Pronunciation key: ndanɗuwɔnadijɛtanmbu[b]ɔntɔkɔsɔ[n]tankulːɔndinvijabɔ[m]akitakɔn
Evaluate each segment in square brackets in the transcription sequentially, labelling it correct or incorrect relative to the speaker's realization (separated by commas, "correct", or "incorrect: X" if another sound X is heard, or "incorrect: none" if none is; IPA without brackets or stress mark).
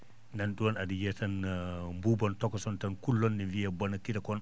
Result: correct, correct, incorrect: n